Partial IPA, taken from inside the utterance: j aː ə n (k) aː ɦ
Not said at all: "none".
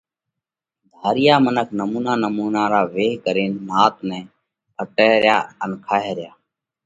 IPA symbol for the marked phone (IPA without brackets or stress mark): kʰ